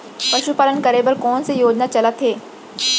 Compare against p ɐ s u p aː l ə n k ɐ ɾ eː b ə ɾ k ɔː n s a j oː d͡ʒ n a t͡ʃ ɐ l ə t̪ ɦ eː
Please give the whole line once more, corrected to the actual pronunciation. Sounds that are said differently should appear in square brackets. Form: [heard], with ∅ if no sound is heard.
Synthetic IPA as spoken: p ɐ [ʃ] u p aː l ə n k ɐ ɾ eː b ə ɾ k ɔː n s [e] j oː d͡ʒ n a t͡ʃ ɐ l ə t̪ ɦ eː